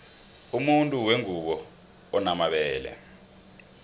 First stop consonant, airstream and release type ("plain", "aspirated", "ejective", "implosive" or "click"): ejective